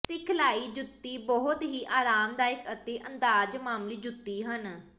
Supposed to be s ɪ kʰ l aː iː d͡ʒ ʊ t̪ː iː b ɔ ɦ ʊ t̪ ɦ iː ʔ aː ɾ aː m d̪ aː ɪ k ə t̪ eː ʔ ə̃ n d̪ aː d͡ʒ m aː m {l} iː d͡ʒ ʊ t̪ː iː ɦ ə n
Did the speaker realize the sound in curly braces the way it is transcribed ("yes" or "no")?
yes